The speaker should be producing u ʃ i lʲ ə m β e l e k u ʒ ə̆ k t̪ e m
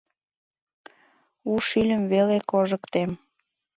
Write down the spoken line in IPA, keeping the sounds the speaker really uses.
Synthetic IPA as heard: u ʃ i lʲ ə m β e l e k o ʒ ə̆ k t̪ e m